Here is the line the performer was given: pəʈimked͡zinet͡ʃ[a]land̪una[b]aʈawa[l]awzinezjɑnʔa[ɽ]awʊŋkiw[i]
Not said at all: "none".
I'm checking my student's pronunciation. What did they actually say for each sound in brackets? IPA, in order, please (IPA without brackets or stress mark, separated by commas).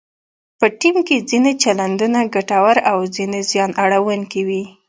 a, ɡ, ɾ, ɽ, i